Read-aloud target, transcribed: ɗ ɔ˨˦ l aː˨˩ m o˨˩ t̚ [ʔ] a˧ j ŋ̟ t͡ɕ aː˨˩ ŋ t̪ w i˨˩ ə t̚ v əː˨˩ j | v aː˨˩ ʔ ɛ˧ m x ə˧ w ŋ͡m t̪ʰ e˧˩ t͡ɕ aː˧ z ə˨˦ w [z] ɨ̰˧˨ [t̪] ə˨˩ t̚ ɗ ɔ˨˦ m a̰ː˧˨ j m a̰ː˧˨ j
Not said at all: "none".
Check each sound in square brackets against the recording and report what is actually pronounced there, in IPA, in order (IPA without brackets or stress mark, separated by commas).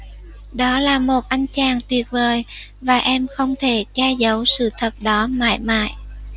ʔ, s, t̪ʰ